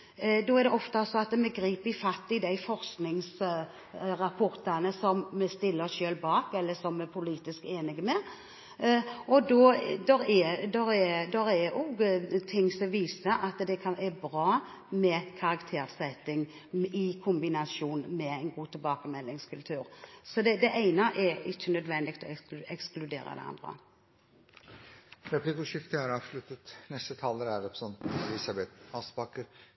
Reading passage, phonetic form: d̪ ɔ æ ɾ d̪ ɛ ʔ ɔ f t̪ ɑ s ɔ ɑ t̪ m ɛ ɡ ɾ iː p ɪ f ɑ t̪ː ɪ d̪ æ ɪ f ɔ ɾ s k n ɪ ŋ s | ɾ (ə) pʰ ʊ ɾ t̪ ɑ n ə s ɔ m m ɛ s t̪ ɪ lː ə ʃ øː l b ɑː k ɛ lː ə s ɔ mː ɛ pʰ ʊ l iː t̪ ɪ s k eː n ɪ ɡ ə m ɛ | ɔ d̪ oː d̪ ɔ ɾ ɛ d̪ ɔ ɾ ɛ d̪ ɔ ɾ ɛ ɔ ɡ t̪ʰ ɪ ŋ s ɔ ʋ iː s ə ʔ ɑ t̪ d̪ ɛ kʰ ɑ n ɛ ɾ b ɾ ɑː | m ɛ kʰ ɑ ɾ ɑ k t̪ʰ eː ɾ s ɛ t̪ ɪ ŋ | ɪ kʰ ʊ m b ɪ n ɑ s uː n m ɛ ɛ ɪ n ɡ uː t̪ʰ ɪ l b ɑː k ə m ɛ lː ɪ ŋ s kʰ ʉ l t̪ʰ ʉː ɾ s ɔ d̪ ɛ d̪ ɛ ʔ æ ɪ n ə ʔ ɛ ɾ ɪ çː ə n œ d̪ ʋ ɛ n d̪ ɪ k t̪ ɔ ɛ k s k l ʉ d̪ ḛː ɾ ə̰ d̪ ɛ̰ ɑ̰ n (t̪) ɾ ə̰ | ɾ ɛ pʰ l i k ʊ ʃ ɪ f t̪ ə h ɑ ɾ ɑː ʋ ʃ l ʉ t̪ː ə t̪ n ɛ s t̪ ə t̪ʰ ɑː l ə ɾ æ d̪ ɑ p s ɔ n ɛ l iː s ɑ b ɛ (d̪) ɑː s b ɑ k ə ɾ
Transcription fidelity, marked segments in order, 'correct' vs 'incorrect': incorrect: ɑ, incorrect: d̪, incorrect: t̪

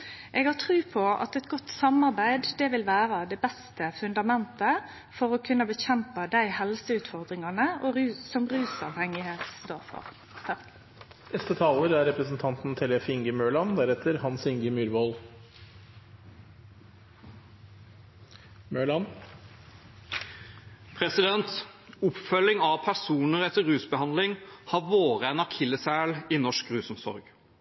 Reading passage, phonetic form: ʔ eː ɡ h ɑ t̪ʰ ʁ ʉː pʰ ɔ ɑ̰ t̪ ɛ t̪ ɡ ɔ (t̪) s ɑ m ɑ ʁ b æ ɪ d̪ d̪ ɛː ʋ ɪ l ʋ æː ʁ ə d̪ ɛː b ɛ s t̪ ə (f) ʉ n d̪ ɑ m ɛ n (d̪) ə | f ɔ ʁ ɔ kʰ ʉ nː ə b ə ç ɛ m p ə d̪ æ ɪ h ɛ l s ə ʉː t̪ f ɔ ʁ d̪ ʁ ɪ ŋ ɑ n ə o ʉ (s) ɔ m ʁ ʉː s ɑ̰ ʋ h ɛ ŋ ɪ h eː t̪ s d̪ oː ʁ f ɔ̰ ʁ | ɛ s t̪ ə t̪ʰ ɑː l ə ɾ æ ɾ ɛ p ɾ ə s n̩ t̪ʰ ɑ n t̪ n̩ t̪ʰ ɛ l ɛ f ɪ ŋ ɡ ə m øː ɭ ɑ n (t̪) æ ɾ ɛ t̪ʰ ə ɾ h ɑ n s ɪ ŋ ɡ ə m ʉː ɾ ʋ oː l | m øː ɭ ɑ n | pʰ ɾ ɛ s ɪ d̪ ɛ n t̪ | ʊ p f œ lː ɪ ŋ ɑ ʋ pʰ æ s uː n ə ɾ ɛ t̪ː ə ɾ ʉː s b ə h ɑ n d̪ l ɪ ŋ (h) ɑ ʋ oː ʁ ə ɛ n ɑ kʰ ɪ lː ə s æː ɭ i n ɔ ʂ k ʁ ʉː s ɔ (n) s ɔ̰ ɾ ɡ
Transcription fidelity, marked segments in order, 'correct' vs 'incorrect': correct, correct, incorrect: t̪, correct, incorrect: d̪, correct, incorrect: m

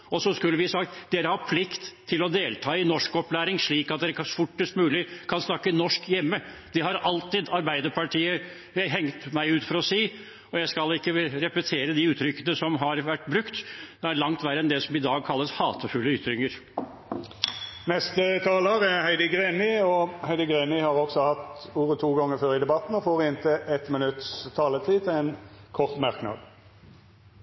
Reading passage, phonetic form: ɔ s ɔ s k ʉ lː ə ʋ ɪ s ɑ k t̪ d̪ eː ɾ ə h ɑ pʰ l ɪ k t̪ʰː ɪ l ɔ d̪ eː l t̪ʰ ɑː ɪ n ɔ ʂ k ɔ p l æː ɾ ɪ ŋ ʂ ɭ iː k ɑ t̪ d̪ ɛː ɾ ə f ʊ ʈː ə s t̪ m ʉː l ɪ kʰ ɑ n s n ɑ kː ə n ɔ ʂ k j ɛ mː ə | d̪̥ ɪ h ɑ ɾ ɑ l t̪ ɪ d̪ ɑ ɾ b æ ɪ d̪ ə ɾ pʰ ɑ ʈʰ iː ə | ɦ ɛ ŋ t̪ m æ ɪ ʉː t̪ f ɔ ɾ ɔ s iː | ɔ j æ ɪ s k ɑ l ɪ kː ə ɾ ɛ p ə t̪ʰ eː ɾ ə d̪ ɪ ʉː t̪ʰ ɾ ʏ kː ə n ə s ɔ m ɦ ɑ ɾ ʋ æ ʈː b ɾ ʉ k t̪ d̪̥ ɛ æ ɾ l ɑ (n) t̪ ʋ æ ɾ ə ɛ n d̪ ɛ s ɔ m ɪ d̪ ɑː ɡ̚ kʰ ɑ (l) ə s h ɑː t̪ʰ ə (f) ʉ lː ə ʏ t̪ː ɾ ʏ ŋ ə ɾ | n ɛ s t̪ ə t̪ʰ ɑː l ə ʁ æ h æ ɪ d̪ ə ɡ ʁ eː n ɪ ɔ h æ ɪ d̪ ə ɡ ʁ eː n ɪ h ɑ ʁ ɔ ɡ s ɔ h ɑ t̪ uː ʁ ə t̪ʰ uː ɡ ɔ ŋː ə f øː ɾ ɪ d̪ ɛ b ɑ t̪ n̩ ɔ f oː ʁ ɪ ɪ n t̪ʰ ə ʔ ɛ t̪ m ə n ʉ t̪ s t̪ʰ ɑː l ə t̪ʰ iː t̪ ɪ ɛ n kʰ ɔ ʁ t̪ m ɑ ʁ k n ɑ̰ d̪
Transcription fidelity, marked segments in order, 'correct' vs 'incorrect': incorrect: ŋ, incorrect: lː, correct

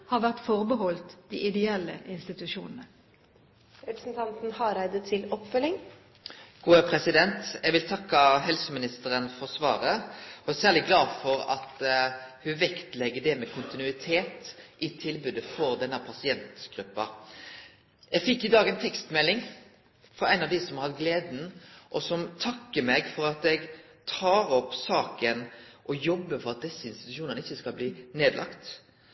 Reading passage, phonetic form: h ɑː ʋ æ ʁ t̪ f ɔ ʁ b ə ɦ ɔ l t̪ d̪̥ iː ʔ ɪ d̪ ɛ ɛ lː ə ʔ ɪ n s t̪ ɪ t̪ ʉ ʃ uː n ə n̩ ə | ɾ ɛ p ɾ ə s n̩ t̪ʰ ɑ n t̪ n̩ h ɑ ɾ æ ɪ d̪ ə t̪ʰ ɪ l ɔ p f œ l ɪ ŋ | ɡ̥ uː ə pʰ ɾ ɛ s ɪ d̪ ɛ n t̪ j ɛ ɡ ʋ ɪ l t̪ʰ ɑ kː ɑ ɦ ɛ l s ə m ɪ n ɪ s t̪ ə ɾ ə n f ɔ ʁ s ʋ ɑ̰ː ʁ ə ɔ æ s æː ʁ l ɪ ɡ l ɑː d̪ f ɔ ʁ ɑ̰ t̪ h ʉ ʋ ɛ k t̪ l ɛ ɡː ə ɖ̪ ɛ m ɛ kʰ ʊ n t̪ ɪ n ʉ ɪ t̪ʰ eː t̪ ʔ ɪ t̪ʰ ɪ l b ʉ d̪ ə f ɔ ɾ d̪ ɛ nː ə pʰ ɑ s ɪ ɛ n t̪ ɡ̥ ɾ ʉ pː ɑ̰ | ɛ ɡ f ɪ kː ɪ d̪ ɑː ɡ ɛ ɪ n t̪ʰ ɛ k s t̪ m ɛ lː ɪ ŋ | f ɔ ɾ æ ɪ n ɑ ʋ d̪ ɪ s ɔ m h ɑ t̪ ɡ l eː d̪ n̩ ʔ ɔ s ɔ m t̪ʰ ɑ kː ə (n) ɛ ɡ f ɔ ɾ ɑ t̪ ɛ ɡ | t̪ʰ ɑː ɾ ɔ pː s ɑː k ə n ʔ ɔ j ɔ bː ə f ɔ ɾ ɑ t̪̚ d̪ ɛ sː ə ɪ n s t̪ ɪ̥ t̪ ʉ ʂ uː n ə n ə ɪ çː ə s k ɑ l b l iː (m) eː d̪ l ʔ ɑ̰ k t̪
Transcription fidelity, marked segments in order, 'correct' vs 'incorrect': incorrect: m, incorrect: n

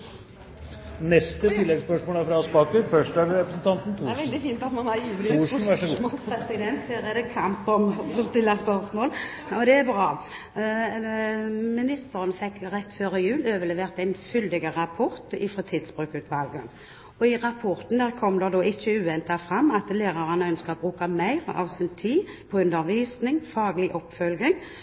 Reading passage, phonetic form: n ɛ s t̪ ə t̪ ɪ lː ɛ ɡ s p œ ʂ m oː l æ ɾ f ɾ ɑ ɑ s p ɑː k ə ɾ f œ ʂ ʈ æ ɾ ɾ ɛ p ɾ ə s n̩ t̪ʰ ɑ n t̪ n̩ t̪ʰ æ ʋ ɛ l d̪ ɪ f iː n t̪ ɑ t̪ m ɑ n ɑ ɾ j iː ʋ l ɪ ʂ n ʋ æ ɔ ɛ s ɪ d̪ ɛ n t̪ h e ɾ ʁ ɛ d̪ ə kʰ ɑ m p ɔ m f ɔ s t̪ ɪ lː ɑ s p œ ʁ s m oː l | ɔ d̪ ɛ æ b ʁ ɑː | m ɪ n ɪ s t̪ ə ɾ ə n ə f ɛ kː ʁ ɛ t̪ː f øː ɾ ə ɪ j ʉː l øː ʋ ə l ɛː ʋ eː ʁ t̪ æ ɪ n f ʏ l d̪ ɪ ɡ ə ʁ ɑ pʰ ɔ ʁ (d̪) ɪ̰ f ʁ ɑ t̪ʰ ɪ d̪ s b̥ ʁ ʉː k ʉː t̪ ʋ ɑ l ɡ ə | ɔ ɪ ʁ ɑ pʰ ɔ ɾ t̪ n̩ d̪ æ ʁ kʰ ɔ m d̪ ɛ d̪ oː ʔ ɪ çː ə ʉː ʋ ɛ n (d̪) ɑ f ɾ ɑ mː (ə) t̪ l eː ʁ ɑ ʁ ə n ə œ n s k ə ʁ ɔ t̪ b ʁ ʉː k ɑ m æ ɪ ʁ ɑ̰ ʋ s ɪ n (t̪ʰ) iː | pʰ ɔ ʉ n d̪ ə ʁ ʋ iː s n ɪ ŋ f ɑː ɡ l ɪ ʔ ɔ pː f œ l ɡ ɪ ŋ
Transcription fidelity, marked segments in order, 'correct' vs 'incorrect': incorrect: t̪, incorrect: t̪, incorrect: ɑ, correct

